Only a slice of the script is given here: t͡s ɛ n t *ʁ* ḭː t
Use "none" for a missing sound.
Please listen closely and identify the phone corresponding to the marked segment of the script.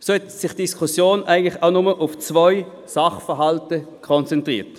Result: ʁ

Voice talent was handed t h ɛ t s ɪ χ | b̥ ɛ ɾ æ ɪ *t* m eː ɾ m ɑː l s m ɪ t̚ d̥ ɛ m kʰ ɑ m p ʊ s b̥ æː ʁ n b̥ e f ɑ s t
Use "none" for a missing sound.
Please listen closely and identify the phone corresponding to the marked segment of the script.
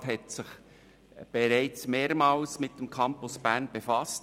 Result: t͡s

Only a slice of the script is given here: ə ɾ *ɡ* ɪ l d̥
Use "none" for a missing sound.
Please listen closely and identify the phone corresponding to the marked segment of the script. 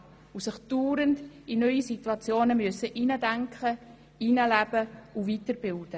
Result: b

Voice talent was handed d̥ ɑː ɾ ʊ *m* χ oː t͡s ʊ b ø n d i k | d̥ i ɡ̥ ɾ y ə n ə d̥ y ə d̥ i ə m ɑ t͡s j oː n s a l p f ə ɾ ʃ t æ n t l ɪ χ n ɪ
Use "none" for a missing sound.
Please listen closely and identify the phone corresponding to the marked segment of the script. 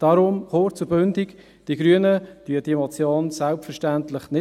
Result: m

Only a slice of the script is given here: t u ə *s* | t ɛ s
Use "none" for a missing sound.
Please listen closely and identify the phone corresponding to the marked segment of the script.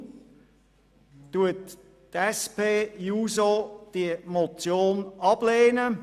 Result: t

